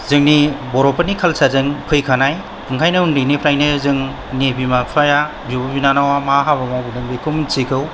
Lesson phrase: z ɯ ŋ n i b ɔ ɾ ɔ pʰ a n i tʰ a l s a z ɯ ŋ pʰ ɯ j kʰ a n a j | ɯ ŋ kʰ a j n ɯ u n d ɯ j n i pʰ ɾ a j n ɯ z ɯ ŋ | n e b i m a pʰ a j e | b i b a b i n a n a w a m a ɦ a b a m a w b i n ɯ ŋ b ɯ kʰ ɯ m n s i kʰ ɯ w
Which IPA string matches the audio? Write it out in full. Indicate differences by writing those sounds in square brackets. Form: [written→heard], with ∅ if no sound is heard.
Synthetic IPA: z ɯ ŋ n i b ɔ ɾ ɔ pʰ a n i [tʰ→kʰ] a l s a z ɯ ŋ pʰ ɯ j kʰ a n a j | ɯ ŋ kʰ a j n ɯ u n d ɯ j n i pʰ ɾ a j n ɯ z ɯ ŋ | n e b i m a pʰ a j [e→a] | b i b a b i n a n a w a m a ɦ a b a m a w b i n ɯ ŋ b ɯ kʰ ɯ m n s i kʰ ɯ w